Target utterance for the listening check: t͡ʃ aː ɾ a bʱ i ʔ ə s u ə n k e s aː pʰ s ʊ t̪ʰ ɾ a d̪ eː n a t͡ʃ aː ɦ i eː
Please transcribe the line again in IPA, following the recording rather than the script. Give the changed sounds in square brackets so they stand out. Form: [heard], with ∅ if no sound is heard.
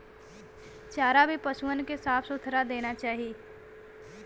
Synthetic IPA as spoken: t͡ʃ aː ɾ a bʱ i [p] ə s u ə n k e s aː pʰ s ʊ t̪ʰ ɾ a d̪ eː n a t͡ʃ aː ɦ i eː

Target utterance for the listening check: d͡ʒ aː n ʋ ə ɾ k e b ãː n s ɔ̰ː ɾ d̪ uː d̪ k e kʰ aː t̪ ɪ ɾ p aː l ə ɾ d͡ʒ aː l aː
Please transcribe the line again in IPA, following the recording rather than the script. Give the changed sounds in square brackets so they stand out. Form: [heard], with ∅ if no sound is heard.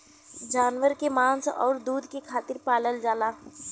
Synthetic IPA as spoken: d͡ʒ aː n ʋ ə ɾ k e [m] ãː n s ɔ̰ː ɾ d̪ uː d̪ k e kʰ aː t̪ ɪ ɾ p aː l ə [l] d͡ʒ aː l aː

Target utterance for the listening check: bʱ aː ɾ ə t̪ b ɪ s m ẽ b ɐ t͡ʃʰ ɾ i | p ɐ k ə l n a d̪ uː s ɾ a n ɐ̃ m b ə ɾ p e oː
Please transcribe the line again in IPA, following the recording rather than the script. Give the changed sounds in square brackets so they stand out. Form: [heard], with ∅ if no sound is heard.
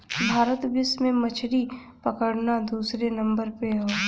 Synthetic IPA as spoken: bʱ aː ɾ ə t̪ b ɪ s m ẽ [m] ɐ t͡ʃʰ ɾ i | p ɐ k ə [ɽ] n a d̪ uː s ɾ [e] n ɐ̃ m b ə ɾ p e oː

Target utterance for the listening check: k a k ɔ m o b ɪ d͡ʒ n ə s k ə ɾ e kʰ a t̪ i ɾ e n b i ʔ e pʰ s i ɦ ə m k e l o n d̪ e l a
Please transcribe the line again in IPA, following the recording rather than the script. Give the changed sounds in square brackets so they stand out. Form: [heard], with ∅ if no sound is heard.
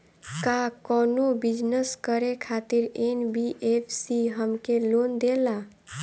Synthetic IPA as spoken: k a k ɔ [n] o b [i] d͡ʒ n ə s k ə ɾ e kʰ a t̪ i ɾ e n b i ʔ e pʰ s i ɦ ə m k e l o n d̪ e l a

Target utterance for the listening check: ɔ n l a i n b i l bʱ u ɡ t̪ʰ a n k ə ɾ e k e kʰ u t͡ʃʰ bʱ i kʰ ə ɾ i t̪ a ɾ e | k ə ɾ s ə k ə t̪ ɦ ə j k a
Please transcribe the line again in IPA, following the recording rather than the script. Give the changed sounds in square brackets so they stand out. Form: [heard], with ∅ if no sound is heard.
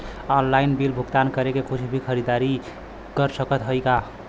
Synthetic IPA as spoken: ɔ n l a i n b i l bʱ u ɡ [t̪] a n k ə ɾ e k e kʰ u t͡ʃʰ bʱ i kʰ ə ɾ i [d̪] a ɾ [i] | k ə ɾ s ə k ə t̪ ɦ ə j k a

